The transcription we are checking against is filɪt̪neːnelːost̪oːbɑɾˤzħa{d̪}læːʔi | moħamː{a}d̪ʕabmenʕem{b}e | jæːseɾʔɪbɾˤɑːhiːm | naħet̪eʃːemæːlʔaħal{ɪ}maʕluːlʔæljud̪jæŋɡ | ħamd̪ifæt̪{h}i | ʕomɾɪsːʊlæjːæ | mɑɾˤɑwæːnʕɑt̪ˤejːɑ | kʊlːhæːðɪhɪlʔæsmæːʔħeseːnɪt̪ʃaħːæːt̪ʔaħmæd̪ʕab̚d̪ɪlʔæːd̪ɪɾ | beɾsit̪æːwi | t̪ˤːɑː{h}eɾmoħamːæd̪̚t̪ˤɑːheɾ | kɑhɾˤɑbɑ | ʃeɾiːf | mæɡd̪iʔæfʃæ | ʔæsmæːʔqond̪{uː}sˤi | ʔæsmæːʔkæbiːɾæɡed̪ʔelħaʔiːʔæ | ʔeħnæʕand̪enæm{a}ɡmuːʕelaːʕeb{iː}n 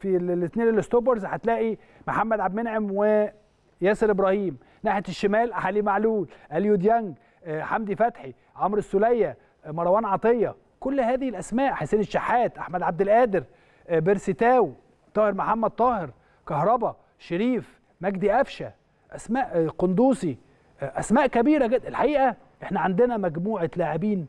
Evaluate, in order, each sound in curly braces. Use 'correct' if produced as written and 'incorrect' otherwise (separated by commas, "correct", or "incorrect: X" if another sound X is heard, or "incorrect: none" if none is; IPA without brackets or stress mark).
incorrect: t̪, incorrect: æ, incorrect: w, incorrect: i, incorrect: ħ, correct, correct, incorrect: æ, correct